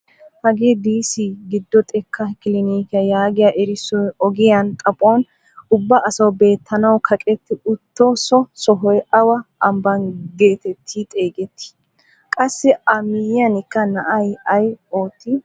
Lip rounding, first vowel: unrounded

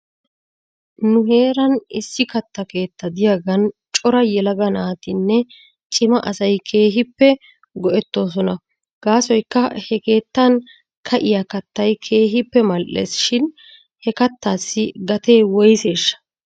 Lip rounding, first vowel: rounded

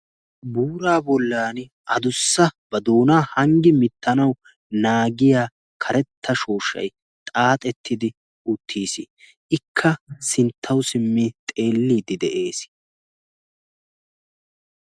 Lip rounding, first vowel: rounded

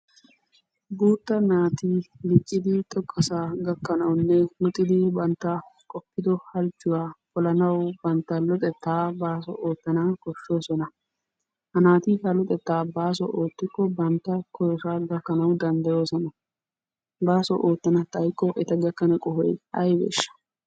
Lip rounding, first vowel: rounded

